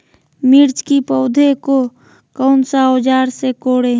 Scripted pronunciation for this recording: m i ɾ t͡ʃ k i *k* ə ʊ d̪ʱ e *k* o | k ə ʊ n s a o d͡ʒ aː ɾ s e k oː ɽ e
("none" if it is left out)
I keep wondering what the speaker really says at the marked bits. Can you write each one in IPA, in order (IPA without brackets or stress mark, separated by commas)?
p, k